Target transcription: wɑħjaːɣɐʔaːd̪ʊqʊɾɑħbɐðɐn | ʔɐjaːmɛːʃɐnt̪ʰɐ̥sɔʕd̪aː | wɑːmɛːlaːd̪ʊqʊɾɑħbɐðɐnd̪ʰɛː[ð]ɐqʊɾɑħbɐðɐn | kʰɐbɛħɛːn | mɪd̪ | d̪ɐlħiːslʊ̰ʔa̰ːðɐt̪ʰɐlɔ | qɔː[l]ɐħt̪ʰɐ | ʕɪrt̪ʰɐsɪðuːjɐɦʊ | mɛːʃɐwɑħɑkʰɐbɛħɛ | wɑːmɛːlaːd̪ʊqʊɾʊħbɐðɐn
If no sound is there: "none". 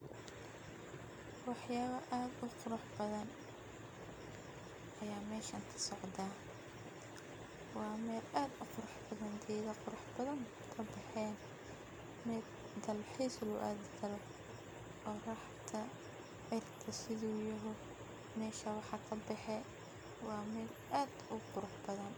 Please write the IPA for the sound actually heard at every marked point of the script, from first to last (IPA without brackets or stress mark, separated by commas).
ð, r